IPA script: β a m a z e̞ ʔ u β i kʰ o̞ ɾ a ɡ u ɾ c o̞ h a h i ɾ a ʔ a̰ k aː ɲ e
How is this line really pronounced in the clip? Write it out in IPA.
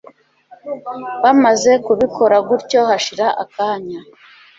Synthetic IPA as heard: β a m a z e̞ k u β i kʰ o̞ ɾ a ɡ u ɾ c o̞ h a ʃ i ɾ a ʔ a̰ k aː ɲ a